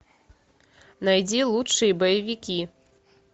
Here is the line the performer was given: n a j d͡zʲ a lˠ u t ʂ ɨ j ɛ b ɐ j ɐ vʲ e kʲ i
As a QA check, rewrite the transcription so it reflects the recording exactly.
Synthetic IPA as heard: n a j d͡zʲ ɛ lˠ u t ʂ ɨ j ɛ b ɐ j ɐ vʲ i kʲ i